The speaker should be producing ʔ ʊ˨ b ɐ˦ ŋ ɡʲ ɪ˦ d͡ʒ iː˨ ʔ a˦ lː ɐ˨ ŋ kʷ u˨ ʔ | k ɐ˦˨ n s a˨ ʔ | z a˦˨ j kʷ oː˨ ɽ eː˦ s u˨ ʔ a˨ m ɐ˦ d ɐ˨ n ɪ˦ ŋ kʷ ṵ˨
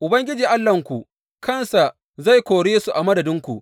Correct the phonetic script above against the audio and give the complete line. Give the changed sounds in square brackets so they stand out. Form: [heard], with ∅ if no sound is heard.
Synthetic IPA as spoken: ʔ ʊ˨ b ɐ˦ ŋ ɡʲ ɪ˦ d͡ʒ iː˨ ʔ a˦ lː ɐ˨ ŋ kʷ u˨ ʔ | k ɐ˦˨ n s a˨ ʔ | z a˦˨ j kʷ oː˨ ɽ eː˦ s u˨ ʔ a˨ m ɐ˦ d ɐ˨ [d] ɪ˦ ŋ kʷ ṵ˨